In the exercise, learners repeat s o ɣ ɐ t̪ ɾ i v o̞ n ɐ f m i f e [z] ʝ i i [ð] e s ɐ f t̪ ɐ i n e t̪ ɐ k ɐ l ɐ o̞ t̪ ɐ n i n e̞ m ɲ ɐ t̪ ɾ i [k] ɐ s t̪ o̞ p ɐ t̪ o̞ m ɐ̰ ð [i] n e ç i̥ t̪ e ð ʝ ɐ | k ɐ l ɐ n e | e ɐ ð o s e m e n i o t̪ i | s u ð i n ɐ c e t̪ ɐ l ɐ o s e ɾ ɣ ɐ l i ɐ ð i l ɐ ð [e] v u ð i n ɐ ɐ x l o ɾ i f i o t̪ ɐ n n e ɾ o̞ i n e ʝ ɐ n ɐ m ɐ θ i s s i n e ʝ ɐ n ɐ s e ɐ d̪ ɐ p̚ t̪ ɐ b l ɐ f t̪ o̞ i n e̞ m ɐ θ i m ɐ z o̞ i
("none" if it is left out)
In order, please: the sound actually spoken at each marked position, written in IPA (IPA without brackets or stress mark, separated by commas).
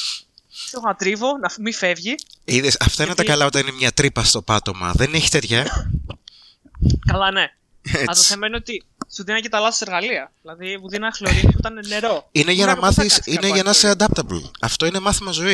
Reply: v, ð, p, e, i